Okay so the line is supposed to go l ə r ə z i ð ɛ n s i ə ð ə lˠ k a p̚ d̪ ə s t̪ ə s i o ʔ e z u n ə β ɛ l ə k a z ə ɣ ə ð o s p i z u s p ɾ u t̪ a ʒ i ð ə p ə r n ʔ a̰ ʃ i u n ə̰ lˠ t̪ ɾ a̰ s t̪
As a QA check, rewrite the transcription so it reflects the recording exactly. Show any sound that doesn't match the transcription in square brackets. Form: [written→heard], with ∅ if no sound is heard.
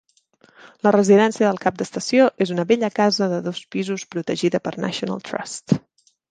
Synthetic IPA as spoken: l ə r ə z i ð ɛ n s i ə ð ə lˠ k a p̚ d̪ ə s t̪ ə s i o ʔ e z u n ə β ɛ [l→ʎ] ə k a z ə [ɣ→ð] ə ð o s p i z u s p ɾ u t̪ [a→ə] ʒ i ð ə p ə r n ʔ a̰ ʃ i u n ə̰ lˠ t̪ ɾ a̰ s t̪